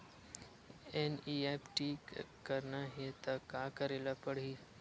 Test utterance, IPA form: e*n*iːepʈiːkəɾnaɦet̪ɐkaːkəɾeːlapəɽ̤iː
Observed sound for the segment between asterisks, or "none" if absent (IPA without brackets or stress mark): n